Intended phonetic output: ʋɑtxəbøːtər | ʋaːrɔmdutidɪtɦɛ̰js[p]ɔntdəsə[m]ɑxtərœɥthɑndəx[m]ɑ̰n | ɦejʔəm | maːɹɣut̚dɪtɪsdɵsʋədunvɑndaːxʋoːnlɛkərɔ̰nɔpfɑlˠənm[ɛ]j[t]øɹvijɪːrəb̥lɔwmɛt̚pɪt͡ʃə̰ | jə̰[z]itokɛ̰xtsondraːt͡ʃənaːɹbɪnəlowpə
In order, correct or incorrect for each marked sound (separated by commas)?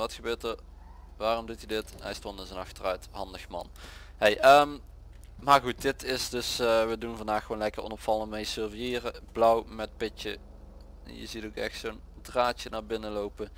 incorrect, incorrect, correct, incorrect, incorrect, correct